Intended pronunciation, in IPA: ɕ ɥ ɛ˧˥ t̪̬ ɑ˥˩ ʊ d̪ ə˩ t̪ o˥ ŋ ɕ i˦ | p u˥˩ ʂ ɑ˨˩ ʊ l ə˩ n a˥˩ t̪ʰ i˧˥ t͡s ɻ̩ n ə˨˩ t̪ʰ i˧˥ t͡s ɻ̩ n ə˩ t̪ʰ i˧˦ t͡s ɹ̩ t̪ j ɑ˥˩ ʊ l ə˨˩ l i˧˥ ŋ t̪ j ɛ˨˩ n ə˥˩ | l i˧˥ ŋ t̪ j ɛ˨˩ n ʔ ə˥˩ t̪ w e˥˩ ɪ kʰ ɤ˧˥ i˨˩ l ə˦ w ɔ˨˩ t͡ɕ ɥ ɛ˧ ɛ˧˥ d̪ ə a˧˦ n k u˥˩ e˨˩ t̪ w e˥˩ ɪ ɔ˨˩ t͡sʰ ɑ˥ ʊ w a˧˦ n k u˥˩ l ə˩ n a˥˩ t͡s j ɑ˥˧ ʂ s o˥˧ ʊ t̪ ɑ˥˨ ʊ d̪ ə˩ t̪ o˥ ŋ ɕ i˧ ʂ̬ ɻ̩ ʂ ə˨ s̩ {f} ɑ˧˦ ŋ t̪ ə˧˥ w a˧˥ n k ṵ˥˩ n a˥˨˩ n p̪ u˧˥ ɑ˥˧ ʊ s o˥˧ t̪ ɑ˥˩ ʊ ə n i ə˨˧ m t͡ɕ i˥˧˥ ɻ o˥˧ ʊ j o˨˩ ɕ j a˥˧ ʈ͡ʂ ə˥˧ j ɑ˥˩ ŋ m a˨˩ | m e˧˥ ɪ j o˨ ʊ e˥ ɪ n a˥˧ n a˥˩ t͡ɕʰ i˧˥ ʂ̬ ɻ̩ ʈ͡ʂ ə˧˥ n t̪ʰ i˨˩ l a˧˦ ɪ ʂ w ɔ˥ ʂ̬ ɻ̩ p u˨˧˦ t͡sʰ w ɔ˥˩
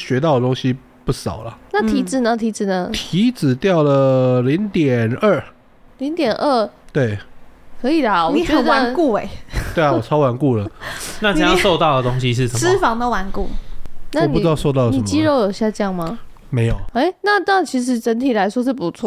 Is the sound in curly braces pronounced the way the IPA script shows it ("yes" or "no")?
yes